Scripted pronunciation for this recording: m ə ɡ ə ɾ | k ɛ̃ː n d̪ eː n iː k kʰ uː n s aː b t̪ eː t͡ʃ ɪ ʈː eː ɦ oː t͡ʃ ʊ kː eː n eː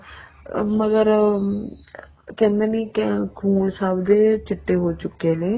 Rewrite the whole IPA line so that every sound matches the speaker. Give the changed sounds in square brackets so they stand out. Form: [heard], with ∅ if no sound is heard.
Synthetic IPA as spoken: m ə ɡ ə ɾ | k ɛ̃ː n d̪ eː n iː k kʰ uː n s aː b [d̪] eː t͡ʃ ɪ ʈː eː ɦ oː t͡ʃ ʊ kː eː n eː